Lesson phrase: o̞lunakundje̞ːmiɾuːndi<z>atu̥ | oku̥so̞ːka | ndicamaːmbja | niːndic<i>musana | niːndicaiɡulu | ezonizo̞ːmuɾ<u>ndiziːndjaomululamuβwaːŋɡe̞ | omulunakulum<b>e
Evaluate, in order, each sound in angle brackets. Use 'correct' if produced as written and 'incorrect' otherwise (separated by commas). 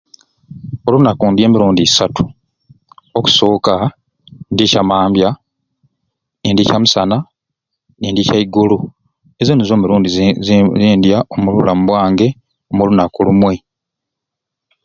incorrect, incorrect, incorrect, incorrect